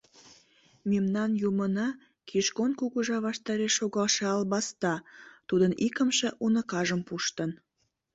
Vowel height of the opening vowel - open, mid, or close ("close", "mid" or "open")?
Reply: mid